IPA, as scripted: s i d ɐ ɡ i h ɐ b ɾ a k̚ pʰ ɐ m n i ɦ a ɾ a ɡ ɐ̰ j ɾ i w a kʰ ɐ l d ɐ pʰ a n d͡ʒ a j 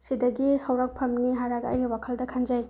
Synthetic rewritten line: s i d ɐ ɡ i h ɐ w ɾ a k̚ pʰ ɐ m n i ɦ a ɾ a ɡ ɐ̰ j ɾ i w a kʰ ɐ l d ɐ kʰ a n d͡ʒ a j